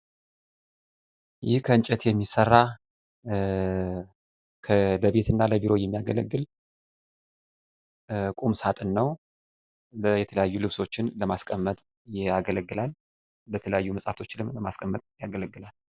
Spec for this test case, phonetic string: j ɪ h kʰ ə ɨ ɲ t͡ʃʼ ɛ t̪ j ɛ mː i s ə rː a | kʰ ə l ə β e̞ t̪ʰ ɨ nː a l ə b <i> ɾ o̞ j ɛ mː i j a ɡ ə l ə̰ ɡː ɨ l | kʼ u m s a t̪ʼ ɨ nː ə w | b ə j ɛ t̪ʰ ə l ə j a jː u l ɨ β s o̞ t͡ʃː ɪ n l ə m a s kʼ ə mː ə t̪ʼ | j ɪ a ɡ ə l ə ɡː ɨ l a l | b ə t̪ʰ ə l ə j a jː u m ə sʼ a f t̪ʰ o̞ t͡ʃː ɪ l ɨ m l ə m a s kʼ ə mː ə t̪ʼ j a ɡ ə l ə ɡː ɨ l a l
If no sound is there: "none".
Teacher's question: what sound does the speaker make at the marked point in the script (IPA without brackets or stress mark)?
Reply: i